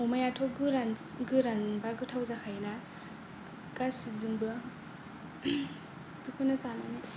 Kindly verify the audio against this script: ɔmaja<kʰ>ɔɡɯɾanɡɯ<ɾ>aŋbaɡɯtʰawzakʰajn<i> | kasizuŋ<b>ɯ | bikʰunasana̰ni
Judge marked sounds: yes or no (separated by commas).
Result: no, yes, no, yes